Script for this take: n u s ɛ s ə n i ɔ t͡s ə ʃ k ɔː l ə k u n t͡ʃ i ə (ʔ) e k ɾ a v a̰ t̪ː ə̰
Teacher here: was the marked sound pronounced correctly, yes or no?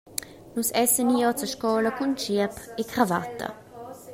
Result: no